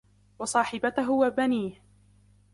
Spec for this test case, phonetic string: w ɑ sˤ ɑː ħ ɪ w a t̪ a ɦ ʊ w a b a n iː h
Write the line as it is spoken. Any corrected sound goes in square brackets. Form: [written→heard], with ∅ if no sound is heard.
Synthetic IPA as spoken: w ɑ sˤ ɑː ħ ɪ [w→b] a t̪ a ɦ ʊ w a b a n iː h